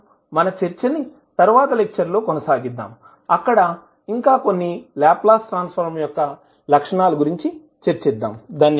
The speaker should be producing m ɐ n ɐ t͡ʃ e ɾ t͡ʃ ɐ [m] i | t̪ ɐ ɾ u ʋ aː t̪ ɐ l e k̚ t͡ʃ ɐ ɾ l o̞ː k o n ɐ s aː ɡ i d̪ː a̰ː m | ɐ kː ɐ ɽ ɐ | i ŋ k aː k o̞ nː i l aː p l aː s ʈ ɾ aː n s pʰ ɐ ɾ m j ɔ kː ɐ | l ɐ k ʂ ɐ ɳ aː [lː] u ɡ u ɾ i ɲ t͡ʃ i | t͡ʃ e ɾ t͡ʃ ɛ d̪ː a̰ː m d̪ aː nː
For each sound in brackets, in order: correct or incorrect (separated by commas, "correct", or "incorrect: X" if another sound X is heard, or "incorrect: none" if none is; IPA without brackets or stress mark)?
incorrect: n, incorrect: l